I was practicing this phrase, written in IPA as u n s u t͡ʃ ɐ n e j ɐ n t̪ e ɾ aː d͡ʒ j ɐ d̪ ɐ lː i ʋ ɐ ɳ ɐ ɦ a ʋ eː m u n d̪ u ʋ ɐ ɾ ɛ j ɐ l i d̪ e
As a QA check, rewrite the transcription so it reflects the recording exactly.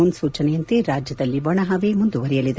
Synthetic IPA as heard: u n s uː t͡ʃ ɐ n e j ɐ n t̪ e ɾ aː d͡ʒ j ɐ d̪ ɐ lː i ʋ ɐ ɳ ɐ ɦ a ʋ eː m u n d̪ u ʋ ɐ ɾ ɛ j ɐ l i d̪ e